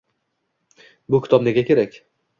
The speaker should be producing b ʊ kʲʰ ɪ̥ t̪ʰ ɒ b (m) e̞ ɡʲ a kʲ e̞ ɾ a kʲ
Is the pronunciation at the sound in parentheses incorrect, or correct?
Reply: incorrect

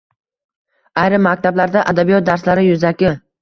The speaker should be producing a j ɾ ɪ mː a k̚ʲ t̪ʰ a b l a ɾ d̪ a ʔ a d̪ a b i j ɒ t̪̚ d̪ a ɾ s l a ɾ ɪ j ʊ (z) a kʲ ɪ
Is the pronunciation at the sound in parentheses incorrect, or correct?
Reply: correct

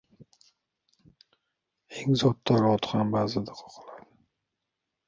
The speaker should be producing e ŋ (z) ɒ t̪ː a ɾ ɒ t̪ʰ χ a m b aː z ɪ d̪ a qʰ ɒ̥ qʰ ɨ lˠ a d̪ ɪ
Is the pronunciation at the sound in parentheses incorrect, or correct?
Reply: correct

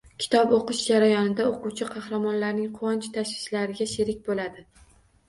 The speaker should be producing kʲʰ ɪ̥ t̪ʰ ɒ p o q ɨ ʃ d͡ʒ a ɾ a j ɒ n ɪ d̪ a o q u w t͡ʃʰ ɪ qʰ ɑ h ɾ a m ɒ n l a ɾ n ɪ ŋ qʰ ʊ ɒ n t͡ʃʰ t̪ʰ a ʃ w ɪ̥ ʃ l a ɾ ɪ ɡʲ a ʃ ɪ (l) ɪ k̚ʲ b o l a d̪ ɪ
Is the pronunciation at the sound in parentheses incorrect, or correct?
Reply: incorrect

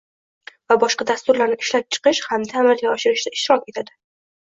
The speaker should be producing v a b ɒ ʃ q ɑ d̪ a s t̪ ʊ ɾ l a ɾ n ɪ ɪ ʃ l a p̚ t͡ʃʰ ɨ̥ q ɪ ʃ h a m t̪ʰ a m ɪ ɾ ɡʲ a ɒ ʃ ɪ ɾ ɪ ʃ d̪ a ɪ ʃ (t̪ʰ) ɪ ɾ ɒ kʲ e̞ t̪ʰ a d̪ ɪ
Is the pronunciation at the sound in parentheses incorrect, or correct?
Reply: incorrect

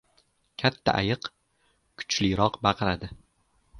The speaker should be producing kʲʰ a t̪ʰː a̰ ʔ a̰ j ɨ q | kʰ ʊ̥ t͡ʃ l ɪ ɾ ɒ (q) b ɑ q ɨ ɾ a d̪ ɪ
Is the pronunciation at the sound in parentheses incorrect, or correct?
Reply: correct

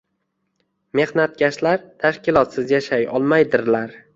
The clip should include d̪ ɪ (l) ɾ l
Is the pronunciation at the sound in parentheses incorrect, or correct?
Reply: incorrect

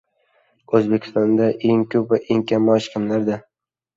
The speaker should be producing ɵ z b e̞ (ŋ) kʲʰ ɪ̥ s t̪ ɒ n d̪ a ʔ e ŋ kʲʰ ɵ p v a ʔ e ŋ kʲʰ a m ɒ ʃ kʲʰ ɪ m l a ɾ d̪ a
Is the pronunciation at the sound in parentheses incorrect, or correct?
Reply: incorrect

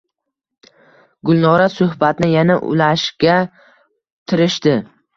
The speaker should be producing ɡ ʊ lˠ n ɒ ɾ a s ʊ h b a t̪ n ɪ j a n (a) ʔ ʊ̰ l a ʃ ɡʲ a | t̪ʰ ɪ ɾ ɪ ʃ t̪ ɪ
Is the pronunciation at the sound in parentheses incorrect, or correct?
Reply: correct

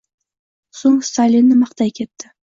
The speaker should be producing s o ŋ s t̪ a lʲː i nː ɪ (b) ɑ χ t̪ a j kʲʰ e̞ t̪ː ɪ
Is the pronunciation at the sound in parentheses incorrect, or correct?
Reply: incorrect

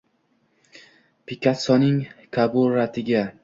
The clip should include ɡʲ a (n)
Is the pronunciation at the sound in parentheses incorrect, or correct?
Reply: incorrect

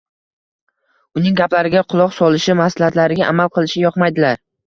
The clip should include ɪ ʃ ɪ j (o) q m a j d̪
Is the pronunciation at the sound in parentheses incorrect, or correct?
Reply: incorrect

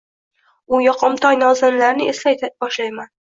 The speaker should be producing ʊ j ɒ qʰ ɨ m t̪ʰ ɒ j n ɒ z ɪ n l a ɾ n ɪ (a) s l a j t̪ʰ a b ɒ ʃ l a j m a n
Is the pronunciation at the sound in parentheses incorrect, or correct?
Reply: incorrect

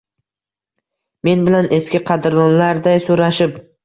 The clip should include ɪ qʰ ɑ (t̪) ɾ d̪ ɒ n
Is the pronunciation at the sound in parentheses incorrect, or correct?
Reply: incorrect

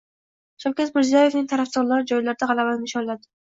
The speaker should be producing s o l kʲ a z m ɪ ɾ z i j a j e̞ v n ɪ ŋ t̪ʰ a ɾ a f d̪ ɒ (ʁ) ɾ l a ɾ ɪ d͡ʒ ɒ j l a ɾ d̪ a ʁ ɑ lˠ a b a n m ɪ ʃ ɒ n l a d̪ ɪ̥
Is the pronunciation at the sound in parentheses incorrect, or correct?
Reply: incorrect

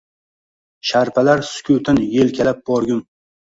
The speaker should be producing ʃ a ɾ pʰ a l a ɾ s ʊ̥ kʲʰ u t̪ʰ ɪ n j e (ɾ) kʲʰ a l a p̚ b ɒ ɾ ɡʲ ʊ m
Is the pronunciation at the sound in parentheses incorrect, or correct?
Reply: incorrect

